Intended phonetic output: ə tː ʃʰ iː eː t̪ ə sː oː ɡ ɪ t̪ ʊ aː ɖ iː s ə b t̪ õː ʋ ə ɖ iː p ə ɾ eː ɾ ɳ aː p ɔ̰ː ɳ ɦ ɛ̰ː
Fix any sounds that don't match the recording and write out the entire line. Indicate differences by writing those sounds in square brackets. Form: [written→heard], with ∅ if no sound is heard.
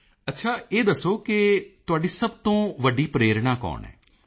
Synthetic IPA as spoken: ə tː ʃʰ [iː→aː] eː [t̪→d̪] ə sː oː [ɡ→k] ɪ t̪ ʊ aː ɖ iː s ə b t̪ õː ʋ ə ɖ iː p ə ɾ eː ɾ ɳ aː [p→k] ɔ̰ː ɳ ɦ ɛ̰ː